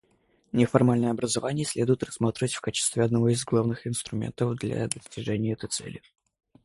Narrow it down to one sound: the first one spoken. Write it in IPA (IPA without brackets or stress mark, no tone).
nʲ